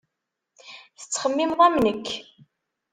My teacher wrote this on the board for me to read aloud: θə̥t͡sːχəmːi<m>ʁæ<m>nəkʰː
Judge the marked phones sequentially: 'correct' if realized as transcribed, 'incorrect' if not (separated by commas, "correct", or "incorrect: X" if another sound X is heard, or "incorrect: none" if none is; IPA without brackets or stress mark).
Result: correct, correct